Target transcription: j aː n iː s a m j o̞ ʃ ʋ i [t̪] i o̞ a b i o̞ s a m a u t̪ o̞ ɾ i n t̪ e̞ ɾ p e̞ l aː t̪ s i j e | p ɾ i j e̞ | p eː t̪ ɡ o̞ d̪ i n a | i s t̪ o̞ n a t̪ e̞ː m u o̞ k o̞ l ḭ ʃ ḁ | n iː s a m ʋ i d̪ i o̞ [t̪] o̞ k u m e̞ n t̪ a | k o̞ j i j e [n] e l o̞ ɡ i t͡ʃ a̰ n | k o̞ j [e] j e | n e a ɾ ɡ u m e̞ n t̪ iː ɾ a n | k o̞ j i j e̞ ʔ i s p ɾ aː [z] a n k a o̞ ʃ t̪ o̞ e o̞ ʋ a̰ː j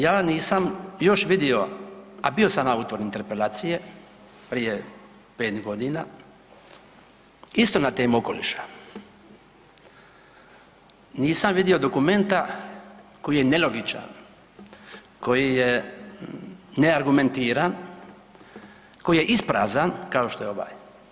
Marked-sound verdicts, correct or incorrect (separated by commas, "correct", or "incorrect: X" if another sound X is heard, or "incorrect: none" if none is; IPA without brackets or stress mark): incorrect: d̪, incorrect: d̪, correct, incorrect: i, correct